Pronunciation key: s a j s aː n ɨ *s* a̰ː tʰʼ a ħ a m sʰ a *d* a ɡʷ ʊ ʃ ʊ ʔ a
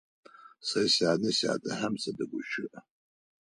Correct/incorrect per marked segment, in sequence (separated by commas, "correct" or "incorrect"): correct, correct